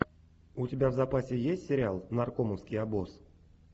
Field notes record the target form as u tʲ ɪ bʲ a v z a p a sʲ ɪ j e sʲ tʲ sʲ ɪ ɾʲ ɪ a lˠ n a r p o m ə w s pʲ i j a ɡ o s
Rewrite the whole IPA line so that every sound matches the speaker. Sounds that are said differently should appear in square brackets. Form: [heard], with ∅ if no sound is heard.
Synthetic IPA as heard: u tʲ ɪ bʲ a v z a p a sʲ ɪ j e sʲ tʲ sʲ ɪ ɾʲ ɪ a lˠ n a r [k] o m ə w s [kʲ] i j a [b] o s